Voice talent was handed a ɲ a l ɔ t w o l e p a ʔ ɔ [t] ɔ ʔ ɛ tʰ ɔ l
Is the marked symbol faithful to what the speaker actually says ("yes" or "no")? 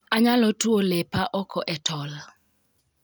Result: no